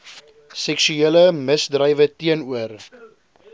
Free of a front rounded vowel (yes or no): no